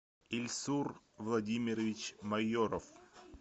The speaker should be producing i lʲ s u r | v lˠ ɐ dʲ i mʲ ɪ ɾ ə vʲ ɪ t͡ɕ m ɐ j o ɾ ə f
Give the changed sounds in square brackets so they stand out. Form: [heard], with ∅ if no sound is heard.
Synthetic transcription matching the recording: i lʲ s u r | v lˠ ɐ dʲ i mʲ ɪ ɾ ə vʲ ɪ t͡ɕ m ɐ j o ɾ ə f